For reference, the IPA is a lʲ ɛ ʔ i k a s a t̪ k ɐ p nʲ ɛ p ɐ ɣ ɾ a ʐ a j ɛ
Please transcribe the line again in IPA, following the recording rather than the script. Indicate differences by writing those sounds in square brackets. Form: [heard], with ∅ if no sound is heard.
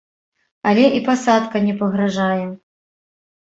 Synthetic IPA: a lʲ ɛ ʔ i [p] a s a t̪ k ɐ [∅] nʲ ɛ p ɐ ɣ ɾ a ʐ a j ɛ